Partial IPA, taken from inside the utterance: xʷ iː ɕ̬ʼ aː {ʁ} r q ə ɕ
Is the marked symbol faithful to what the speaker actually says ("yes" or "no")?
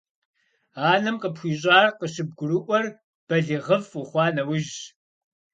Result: no